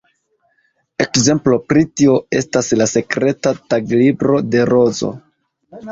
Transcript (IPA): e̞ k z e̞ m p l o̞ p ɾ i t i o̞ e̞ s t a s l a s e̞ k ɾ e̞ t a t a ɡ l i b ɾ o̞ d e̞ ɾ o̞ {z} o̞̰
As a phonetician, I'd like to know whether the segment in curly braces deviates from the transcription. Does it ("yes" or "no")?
no